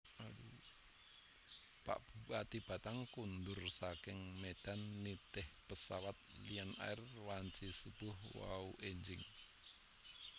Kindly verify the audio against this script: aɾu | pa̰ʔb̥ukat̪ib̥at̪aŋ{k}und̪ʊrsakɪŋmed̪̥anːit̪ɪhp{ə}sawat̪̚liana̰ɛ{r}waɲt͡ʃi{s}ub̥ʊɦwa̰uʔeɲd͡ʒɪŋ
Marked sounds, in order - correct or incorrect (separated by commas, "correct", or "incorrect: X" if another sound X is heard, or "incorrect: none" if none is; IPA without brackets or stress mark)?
correct, correct, correct, correct